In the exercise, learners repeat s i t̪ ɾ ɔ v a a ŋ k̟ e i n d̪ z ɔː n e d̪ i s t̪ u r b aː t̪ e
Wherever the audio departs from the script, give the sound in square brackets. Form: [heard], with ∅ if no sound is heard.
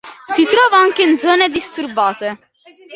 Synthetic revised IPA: s i t̪ ɾ [ɔː] v a a ŋ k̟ e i n d̪ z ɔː n e d̪ i s t̪ u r b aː t̪ e